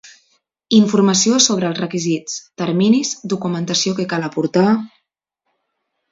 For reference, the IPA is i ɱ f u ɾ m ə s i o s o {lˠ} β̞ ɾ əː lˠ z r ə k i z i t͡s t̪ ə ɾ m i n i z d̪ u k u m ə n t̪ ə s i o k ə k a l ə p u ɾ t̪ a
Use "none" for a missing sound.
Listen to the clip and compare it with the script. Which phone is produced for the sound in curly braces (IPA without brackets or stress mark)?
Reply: none